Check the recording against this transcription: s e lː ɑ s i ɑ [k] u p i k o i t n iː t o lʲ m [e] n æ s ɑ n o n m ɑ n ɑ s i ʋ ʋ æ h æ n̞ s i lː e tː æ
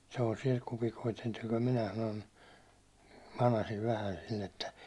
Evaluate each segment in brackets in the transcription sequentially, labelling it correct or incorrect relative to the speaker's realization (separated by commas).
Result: correct, incorrect